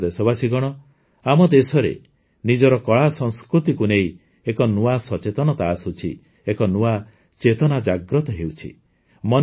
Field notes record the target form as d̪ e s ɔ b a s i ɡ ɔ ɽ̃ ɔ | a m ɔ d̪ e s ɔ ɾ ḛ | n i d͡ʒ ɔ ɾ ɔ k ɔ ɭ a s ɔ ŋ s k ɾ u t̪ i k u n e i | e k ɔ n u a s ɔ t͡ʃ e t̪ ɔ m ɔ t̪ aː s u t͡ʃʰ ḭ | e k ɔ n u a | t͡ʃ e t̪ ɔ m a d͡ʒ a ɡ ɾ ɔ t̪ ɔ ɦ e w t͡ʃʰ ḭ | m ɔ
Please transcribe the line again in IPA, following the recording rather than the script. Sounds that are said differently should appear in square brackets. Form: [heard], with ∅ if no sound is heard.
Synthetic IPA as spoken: d̪ e s ɔ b a s i ɡ ɔ ɽ̃ ɔ | a m ɔ d̪ e s ɔ ɾ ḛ | n i d͡ʒ ɔ ɾ ɔ k ɔ ɭ a s ɔ ŋ s k ɾ u t̪ i k u n e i | e k ɔ n u a s ɔ t͡ʃ e t̪ ɔ [n] ɔ t̪ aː s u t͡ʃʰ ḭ | e k ɔ n u a | t͡ʃ e t̪ ɔ [n] a d͡ʒ a ɡ ɾ ɔ t̪ ɔ ɦ e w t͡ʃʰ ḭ | m ɔ